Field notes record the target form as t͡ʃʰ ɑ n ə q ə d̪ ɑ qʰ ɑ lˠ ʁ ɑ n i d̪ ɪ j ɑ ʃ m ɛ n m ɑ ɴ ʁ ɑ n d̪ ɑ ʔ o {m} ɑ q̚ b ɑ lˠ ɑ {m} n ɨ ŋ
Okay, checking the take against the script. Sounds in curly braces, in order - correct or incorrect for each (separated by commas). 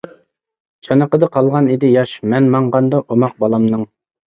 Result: correct, correct